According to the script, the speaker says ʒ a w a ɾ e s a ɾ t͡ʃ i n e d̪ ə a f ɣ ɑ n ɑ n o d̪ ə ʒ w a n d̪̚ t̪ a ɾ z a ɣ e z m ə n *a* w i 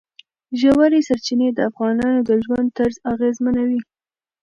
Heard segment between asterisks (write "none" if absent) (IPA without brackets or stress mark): a